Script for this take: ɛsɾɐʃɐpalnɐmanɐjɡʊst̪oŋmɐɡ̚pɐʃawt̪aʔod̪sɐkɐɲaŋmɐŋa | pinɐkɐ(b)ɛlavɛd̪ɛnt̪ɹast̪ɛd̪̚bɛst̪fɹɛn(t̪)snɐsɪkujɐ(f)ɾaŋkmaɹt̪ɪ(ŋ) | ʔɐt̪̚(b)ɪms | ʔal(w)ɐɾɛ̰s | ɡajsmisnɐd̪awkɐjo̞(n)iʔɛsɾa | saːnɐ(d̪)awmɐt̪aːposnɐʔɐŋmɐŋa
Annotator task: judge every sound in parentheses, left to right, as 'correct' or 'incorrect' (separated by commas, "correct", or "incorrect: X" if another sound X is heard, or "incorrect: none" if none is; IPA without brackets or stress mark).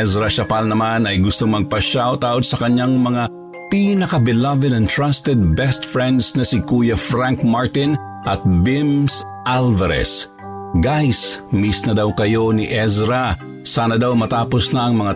correct, incorrect: d̪, correct, incorrect: n, correct, incorrect: v, correct, correct